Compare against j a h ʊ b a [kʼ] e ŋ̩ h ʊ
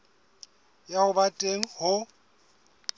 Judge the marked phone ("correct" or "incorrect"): incorrect